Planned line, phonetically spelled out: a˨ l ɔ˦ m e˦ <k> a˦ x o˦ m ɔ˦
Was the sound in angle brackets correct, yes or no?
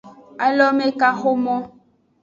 yes